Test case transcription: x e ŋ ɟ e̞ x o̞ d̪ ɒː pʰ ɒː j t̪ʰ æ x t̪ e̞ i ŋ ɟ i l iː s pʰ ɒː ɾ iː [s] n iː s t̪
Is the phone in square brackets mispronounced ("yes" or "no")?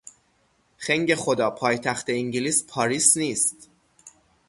no